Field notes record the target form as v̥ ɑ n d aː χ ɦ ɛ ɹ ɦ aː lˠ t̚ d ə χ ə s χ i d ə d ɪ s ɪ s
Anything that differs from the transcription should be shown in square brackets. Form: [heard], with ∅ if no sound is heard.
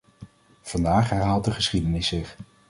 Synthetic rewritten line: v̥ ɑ n d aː χ ɦ ɛ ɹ ɦ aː lˠ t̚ d ə χ ə s χ i d ə [n] ɪ s ɪ [χ]